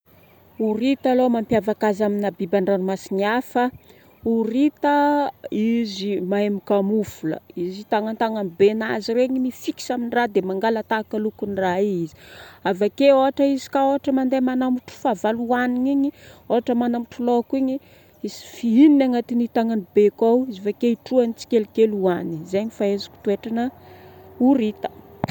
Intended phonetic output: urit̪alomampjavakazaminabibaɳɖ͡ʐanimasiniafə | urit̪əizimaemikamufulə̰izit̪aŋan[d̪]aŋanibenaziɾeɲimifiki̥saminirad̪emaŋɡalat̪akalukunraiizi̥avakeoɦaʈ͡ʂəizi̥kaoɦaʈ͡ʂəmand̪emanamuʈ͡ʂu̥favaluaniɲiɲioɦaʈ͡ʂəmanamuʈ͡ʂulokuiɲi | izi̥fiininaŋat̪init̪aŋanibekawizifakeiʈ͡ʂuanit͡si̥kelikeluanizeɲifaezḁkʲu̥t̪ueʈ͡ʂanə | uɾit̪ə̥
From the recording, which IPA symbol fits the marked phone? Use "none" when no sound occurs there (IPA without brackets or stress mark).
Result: t̪